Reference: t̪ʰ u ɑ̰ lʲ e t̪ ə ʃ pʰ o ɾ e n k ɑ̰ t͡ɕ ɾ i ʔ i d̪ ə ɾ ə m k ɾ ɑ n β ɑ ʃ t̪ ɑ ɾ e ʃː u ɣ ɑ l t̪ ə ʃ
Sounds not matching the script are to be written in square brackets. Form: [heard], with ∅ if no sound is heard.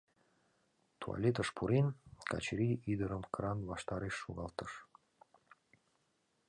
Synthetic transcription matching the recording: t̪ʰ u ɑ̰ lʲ e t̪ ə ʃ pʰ [u] ɾ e n k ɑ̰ t͡ɕ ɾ i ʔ i d̪ ə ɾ ə m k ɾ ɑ n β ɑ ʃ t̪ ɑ ɾ e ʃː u ɣ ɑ l t̪ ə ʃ